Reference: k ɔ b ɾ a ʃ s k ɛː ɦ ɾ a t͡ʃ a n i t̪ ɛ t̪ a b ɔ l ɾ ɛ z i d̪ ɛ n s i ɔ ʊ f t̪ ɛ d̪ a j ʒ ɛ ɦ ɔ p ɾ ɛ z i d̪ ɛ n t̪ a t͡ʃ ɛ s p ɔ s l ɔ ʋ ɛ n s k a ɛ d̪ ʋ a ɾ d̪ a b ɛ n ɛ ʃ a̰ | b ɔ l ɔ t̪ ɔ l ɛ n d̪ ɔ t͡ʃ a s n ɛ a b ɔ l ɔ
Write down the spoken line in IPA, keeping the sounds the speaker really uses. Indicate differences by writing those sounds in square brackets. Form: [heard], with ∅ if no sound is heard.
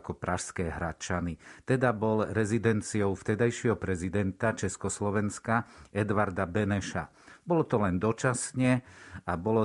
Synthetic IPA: k ɔ [p] ɾ a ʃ s k ɛː ɦ ɾ a t͡ʃ a n i t̪ ɛ [d̪] a b ɔ l ɾ ɛ z i d̪ ɛ n [t͡s] i ɔ ʊ f t̪ ɛ d̪ a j [ʃ] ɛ ɦ ɔ p ɾ ɛ z i d̪ ɛ n t̪ a t͡ʃ ɛ s [k] ɔ s l ɔ ʋ ɛ n s k a ɛ d̪ ʋ a ɾ d̪ a b ɛ n ɛ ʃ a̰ | b ɔ l ɔ t̪ ɔ l ɛ n d̪ ɔ t͡ʃ a s [ɲ] ɛ a b ɔ l ɔ